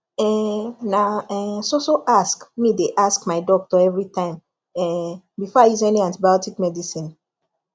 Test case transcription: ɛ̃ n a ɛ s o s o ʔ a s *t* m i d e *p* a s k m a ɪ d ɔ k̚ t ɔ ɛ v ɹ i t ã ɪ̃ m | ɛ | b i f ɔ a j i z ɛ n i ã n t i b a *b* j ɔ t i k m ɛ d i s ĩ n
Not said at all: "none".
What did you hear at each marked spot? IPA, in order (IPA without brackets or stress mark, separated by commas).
k, ʔ, none